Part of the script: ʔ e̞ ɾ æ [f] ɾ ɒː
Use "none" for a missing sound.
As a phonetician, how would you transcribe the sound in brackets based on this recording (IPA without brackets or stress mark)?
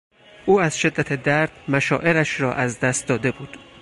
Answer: ʃ